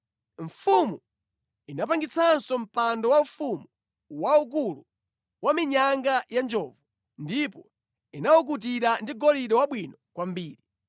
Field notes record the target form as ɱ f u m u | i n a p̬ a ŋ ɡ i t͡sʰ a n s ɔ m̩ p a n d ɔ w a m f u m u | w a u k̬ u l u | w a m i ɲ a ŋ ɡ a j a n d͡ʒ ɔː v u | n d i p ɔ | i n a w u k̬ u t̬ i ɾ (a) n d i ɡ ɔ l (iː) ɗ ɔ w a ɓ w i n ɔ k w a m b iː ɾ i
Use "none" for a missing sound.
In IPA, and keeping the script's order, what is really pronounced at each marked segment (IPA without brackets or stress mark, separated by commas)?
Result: a, i